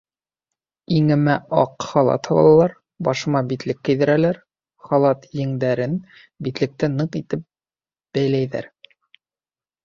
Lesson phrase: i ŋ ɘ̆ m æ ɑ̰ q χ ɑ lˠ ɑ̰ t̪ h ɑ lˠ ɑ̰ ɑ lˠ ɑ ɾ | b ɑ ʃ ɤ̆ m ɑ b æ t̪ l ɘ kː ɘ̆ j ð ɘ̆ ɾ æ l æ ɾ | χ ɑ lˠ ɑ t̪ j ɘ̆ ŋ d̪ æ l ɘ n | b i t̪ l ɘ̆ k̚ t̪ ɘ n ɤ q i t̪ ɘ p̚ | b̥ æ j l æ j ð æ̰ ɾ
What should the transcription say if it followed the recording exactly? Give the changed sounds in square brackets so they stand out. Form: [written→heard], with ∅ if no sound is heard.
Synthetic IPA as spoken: i ŋ ɘ̆ m æ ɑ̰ q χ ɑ lˠ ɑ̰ t̪ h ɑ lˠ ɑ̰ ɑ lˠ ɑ ɾ | b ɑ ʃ ɤ̆ m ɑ b [æ→i] t̪ l ɘ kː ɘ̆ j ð ɘ̆ ɾ æ l æ ɾ | χ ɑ lˠ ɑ t̪ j ɘ̆ ŋ d̪ æ [l→ɾ] ɘ n | b i t̪ l ɘ̆ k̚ t̪ ɘ n ɤ q i t̪ ɘ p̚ | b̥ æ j l æ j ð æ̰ ɾ